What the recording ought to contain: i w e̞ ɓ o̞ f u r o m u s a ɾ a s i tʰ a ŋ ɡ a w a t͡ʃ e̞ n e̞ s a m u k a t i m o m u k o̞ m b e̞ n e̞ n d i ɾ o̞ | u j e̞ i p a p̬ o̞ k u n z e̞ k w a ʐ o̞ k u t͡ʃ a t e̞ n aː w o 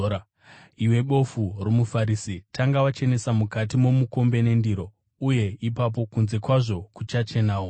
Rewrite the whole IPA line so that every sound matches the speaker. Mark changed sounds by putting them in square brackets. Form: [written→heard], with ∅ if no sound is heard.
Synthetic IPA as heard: i w e̞ ɓ o̞ f u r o m u [s→f] a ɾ [a→i] s i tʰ a ŋ ɡ a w a t͡ʃ e̞ n e̞ s a m u k a t i m o m u k o̞ m b e̞ n e̞ n d i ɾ o̞ | u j e̞ i p a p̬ o̞ k u n z e̞ k w a ʐ o̞ k u t͡ʃ a [t→t͡ʃ] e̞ n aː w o

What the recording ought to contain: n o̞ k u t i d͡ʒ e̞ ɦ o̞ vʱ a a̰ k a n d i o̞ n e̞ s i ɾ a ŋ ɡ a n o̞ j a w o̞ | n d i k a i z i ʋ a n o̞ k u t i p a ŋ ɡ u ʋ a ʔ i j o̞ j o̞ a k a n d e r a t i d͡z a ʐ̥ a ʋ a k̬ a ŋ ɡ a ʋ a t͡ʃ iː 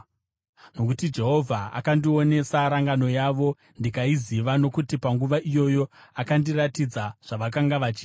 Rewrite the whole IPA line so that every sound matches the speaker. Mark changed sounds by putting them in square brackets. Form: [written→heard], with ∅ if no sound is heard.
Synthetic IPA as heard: n o̞ k u t i d͡ʒ e̞ ɦ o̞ vʱ a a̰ k a n d i o̞ n e̞ s [i→a] ɾ a ŋ ɡ a n o̞ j a [w→ʋ] o̞ | n d i k a i z i ʋ a n o̞ k u t i p a ŋ ɡ u ʋ a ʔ i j o̞ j o̞ a k a n d [e→i] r a t i d͡z a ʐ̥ a ʋ a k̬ a ŋ ɡ a ʋ a t͡ʃ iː

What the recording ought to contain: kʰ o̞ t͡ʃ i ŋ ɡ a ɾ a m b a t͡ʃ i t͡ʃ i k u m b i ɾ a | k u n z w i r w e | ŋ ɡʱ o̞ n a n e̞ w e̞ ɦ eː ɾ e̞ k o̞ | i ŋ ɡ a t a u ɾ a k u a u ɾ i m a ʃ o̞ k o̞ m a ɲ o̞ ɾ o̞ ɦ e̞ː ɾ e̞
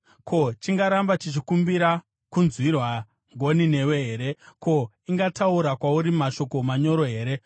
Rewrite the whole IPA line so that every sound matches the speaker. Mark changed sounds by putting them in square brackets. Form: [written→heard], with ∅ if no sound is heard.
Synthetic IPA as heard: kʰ o̞ t͡ʃ i ŋ ɡ a ɾ a m b a t͡ʃ i t͡ʃ i k u m b i ɾ a | k u n z w i r w [e→a] | ŋ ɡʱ o̞ n [a→i] n e̞ w e̞ ɦ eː ɾ e̞ k o̞ | i ŋ ɡ a t a u ɾ a k [u→w] a u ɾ i m a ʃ o̞ k o̞ m a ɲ o̞ ɾ o̞ ɦ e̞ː ɾ e̞

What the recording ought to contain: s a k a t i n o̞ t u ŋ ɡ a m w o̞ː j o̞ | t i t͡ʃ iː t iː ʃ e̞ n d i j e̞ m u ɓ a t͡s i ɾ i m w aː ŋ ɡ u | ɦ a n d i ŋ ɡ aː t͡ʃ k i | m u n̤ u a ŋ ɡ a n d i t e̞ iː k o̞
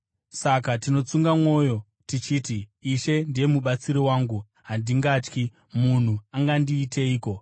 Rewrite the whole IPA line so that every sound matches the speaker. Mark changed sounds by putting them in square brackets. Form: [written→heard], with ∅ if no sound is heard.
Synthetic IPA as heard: s a k a t i n o̞ [t→t͡s] u ŋ ɡ a m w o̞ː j o̞ | t i t͡ʃ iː t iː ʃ e̞ n d i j e̞ m u ɓ a t͡s i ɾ i [m→∅] w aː ŋ ɡ u | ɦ a n d i ŋ ɡ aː t͡ʃ k i | m u n̤ u a ŋ ɡ a n d [i→iː] t e̞ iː k o̞

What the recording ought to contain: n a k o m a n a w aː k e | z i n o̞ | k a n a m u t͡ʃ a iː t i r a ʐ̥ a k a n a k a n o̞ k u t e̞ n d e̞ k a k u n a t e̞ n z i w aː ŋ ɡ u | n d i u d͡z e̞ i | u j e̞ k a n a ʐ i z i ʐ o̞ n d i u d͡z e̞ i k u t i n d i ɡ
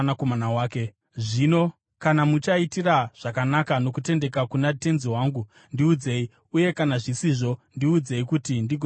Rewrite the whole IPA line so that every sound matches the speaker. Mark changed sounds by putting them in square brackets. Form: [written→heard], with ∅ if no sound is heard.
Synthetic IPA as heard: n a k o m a n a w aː k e | [z→ʐ] i n o̞ | k a n a m u t͡ʃ a [iː→i] t i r a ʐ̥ a k a n a k a n o̞ k u t e̞ n d e̞ k a k u n a t e̞ n z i w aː ŋ ɡ u | n d i u d͡z e̞ i | u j e̞ k a n a ʐ i [z→s] i ʐ o̞ n d i u d͡z e̞ i k u t i n d i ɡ

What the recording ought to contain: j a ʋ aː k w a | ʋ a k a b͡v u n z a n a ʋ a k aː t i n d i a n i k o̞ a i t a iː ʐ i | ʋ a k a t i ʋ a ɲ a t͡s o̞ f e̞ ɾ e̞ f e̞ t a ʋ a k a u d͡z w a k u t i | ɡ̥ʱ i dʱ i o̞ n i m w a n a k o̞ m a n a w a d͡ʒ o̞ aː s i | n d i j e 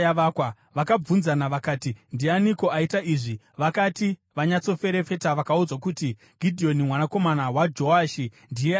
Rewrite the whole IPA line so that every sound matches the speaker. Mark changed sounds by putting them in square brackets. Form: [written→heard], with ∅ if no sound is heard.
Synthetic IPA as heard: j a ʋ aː k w a | ʋ a k a b͡v u n z a n a ʋ a k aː t i n d i a n i k o̞ a i t a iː ʐ i | ʋ a k a t i ʋ a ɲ a t͡s o̞ f e̞ ɾ e̞ f e̞ t a ʋ a k a u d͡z w a k u t i | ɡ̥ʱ i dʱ i o̞ n i m w a n a k o̞ m a n a w a d͡ʒ o̞ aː [s→ʃ] i | n d i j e

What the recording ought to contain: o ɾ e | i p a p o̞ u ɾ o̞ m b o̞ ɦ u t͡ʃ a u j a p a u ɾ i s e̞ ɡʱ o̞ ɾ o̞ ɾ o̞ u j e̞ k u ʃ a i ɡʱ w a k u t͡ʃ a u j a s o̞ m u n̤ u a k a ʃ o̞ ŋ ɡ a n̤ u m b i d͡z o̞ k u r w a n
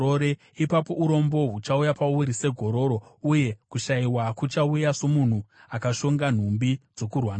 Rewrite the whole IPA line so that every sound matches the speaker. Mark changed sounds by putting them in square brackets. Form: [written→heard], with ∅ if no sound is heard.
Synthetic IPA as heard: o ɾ e | i p a p o̞ u ɾ o̞ m b o̞ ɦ u t͡ʃ a u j a p a u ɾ i s e̞ ɡʱ o̞ ɾ o̞ ɾ o̞ u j e̞ k u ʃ a i [ɡʱ→∅] w a k u t͡ʃ a u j a s o̞ m u n̤ u a k a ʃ o̞ ŋ ɡ a n̤ u m b i d͡z o̞ k u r w a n

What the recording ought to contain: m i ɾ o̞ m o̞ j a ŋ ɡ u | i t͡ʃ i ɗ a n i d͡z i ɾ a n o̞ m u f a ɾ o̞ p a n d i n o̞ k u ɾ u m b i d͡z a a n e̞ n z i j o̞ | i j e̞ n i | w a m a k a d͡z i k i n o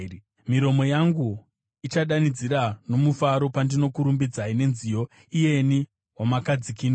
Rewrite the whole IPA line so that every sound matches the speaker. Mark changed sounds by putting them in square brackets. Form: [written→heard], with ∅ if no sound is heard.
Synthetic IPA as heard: m i ɾ o̞ m o̞ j a ŋ ɡ u | i t͡ʃ [i→a] ɗ a n i d͡z i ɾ a n o̞ m u f a ɾ o̞ p a n d i n o̞ k u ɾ u m b i d͡z a [a→i] n e̞ n z i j o̞ | i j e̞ n i | w a m a k a d͡z i k i n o

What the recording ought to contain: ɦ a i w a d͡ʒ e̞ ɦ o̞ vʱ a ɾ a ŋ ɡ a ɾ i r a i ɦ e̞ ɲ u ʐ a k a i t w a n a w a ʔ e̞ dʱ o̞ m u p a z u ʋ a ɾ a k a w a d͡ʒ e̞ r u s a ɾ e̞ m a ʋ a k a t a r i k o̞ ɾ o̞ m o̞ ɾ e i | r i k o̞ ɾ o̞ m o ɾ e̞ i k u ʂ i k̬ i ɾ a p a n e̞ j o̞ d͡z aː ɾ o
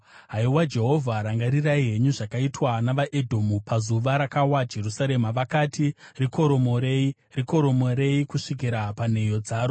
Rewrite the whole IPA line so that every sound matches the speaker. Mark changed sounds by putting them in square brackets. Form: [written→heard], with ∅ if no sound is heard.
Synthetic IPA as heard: ɦ a i w a d͡ʒ e̞ ɦ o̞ vʱ a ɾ a ŋ ɡ a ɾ i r a i ɦ e̞ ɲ u ʐ a k a i t w a n a [w→ʋ] a ʔ e̞ dʱ o̞ m u p a z u ʋ a ɾ a k a w a d͡ʒ e̞ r u s a ɾ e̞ m a ʋ a k a t [a→i] r i k o̞ ɾ o̞ m o̞ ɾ e i | r i k o̞ ɾ o̞ m o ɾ e̞ i k u ʂ i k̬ i ɾ a p a n e̞ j o̞ d͡z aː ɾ o

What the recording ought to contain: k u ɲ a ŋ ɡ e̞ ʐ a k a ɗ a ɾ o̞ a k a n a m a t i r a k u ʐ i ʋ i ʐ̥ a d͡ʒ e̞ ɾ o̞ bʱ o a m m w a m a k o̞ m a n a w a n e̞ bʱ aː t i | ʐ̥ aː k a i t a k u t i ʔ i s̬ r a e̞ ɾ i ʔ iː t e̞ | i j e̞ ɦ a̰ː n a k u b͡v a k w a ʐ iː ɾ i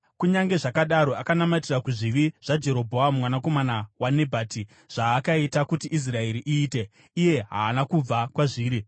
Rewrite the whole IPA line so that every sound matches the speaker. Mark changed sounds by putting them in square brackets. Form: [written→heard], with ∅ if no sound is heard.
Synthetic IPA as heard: k u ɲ a ŋ ɡ e̞ ʐ a k a ɗ a ɾ o̞ a k a n a m a t i r a k u ʐ i ʋ i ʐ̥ a d͡ʒ e̞ ɾ o̞ bʱ o a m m w a [m→n] a k o̞ m a n a w a n e̞ bʱ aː t i | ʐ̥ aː k a i t a k u t i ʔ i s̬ r a e̞ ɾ i ʔ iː t e̞ | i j e̞ ɦ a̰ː n a k u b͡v a k w a ʐ iː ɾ i

